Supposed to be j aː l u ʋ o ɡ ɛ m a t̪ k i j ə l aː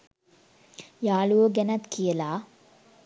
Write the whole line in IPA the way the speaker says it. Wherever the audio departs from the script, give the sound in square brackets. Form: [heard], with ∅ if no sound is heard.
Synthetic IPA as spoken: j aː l u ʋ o ɡ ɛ [n] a t̪ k i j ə l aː